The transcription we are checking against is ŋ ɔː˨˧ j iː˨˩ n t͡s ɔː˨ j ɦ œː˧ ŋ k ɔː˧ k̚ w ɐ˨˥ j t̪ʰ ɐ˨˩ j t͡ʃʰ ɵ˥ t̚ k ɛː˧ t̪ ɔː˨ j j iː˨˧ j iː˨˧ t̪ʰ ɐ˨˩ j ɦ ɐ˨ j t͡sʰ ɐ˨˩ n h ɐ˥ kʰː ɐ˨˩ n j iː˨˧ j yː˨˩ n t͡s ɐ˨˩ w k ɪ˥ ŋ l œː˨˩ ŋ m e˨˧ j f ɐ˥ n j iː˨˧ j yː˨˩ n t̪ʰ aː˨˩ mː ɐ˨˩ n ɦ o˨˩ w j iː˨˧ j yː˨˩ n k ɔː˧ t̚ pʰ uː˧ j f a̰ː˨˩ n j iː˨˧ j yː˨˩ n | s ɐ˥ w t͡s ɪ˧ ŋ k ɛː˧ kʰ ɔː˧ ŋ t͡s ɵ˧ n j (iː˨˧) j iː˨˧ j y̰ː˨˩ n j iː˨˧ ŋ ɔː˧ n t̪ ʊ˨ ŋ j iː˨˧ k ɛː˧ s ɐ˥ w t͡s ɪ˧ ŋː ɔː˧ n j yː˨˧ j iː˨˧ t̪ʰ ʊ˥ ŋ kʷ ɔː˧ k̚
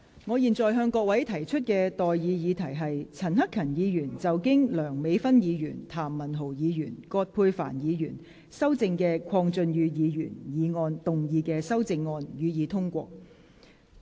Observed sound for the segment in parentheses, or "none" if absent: yː˨˧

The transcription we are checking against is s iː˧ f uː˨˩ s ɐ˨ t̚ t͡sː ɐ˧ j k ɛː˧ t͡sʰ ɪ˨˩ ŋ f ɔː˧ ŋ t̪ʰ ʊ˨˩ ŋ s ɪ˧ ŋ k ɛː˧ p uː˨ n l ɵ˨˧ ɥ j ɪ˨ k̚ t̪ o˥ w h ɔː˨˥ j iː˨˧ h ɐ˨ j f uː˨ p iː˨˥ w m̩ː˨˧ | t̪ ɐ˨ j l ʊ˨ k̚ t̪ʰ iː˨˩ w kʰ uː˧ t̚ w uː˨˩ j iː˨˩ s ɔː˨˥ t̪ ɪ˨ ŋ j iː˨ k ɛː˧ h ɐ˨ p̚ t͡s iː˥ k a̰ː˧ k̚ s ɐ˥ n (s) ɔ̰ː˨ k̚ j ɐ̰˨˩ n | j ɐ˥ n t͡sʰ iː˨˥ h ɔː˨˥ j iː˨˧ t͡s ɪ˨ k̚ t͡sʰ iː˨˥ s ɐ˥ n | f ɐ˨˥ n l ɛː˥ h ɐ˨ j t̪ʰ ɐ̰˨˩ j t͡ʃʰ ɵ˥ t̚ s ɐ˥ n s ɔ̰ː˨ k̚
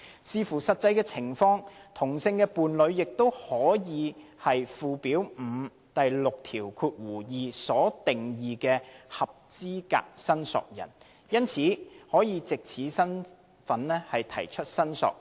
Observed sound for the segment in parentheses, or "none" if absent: s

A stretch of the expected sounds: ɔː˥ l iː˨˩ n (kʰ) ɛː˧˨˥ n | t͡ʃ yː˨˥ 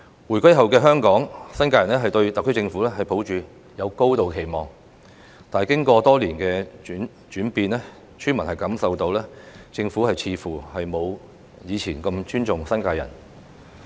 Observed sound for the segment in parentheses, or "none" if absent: k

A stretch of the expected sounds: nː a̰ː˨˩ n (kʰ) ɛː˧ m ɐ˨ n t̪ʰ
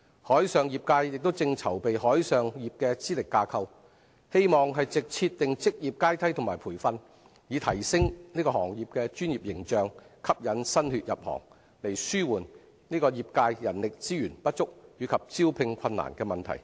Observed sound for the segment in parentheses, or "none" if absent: k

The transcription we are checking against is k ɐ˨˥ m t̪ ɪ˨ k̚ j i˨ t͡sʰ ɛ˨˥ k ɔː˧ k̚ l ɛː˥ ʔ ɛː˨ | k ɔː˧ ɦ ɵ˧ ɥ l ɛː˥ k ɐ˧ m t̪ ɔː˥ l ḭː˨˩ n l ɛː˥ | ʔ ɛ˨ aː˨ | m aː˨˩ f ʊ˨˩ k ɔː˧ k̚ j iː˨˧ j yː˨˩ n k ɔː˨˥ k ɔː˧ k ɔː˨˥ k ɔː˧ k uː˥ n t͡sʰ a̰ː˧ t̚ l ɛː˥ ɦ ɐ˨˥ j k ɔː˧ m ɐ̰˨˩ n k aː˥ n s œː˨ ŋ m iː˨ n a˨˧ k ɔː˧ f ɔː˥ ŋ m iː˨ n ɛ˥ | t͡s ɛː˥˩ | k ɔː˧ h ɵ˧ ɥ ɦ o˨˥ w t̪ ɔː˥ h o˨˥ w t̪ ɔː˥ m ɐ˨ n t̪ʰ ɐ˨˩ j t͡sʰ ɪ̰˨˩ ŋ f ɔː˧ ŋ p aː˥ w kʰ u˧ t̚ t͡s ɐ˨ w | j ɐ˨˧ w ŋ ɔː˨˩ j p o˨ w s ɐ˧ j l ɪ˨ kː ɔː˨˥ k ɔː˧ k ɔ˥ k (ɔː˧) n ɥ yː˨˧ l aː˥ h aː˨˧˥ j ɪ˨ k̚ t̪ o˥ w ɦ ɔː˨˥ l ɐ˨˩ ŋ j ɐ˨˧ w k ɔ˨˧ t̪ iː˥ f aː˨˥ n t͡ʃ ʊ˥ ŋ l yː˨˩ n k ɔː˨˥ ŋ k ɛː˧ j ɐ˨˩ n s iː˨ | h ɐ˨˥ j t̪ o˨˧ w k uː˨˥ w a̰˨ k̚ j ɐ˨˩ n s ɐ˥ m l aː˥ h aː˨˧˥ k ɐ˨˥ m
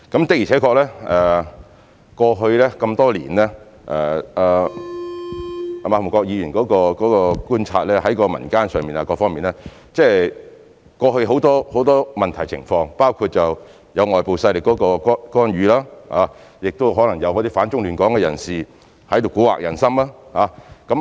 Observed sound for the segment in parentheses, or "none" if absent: ɔː˥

